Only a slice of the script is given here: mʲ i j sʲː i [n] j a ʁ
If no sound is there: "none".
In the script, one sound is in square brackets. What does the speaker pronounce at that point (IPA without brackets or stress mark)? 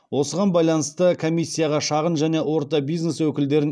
none